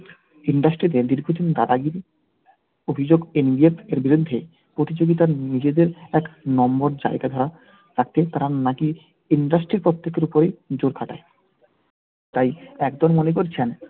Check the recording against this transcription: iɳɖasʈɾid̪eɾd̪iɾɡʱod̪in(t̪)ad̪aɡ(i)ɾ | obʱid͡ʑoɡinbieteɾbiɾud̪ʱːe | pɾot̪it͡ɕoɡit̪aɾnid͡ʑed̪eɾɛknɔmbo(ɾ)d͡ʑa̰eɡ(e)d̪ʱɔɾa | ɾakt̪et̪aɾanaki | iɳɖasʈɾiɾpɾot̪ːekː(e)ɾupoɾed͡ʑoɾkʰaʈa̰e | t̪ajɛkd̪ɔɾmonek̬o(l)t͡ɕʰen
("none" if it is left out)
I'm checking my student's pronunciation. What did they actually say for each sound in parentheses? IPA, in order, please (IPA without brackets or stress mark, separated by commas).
d̪, i, ɾ, a, e, ɾ